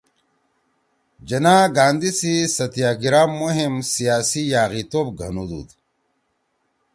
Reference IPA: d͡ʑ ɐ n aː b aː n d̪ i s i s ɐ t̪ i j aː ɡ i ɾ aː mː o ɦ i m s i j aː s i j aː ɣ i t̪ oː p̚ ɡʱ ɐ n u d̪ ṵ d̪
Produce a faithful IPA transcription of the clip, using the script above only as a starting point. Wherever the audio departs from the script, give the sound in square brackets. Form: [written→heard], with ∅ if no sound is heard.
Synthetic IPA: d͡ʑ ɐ n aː [b→ɡ] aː n d̪ i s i s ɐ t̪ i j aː ɡ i ɾ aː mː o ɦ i m s i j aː s i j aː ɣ i t̪ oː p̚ ɡʱ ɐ n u d̪ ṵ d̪